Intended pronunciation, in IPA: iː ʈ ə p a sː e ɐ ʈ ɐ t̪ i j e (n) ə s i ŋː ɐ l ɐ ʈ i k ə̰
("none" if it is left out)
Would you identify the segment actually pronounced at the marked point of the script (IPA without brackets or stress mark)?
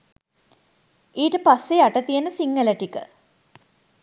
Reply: n